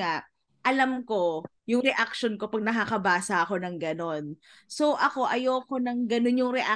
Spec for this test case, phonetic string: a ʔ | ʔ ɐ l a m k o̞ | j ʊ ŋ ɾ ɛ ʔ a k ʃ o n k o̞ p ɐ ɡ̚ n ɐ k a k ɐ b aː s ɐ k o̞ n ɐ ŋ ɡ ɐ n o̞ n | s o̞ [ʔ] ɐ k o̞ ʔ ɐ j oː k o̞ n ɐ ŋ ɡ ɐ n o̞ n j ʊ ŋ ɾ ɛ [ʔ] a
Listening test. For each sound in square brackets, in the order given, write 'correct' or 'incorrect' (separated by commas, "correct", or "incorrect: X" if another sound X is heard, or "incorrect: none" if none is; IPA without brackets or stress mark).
correct, correct